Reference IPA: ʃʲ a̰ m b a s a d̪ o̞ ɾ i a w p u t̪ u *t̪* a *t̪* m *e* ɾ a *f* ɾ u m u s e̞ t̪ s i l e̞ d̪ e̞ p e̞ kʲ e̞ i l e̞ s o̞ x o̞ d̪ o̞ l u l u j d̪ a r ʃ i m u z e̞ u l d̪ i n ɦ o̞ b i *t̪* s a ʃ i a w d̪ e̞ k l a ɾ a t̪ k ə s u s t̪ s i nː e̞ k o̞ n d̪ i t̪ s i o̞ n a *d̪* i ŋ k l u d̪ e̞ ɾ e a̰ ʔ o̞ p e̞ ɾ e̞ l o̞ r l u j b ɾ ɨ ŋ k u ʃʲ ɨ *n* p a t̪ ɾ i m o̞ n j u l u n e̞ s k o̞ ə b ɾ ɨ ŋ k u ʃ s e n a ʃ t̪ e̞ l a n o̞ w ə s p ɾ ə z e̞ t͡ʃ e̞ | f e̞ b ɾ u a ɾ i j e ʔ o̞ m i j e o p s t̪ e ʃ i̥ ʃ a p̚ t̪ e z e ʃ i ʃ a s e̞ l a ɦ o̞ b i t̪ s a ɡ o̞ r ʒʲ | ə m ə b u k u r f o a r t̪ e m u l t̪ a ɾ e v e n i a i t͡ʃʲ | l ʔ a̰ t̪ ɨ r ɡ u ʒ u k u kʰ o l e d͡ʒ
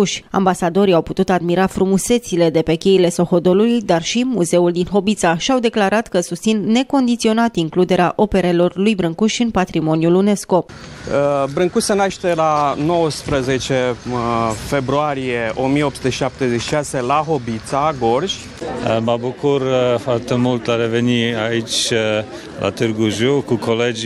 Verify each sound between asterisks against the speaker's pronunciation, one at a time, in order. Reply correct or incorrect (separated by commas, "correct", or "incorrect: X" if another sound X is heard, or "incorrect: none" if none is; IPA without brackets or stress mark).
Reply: correct, incorrect: d̪, incorrect: i, correct, correct, incorrect: t̪, correct